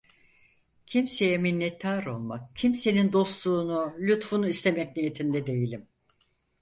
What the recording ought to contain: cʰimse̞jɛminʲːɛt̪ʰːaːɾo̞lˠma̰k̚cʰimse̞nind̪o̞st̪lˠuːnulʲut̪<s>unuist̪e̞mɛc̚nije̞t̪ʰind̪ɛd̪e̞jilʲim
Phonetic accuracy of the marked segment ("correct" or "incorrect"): incorrect